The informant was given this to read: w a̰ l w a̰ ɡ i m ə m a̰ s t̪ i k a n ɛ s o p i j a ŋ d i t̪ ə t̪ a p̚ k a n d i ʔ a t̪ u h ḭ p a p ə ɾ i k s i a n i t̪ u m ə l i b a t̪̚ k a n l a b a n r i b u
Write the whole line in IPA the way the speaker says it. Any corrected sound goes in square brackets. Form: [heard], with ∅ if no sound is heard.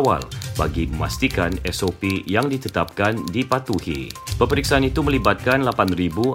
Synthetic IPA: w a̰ l [b] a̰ ɡ i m ə m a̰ s t̪ i k a n ɛ s o p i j a ŋ d i t̪ ə t̪ a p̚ k a n d i [p] a t̪ u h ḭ p [ə] p ə ɾ i k s [a] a n i t̪ u m ə l i b a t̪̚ k a n l a [p] a n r i b u